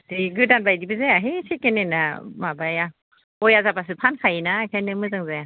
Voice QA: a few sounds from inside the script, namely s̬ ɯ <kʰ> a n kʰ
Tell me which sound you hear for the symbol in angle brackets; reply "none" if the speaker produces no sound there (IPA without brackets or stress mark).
pʰ